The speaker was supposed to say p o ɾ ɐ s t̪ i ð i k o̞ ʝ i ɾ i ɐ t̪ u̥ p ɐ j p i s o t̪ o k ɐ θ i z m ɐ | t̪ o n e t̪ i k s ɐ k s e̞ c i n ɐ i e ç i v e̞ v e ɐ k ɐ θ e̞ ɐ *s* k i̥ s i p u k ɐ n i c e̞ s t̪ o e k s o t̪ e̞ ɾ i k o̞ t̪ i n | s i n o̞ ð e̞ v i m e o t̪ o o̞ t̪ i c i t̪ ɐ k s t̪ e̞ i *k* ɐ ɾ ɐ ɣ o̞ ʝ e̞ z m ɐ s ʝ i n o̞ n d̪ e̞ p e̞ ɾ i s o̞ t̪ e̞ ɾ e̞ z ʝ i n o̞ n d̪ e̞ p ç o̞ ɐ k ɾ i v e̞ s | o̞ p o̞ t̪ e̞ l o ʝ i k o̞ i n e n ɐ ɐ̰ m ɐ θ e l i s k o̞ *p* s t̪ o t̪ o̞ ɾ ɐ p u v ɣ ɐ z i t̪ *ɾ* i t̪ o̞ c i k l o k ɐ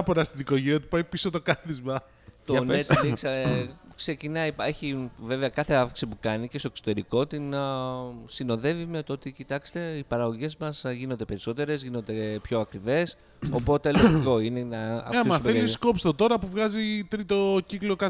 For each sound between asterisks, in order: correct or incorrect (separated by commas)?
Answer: incorrect, incorrect, correct, correct